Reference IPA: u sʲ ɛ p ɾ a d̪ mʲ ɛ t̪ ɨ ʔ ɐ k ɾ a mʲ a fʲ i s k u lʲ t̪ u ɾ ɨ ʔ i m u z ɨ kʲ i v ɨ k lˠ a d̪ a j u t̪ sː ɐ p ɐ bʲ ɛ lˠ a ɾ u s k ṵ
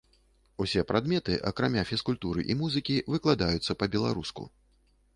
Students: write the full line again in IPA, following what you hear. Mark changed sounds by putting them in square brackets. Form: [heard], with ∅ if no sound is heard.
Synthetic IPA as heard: u sʲ ɛ p ɾ a d̪ mʲ ɛ t̪ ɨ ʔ ɐ k ɾ a mʲ a fʲ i s k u lʲ t̪ u ɾ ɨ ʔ i m u z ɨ kʲ i v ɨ k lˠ a d̪ a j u t̪ sː ɐ p ɐ bʲ ɛ lˠ a ɾ u s k ṵ